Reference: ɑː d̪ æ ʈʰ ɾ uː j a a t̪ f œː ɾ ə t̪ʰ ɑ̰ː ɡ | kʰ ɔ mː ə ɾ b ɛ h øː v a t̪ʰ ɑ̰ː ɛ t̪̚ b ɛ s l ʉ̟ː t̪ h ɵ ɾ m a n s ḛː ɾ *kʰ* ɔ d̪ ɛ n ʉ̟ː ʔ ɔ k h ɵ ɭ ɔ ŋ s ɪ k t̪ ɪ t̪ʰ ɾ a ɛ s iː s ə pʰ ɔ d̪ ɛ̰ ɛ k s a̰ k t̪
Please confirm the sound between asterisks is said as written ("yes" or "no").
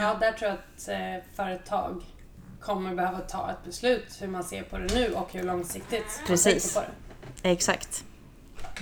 no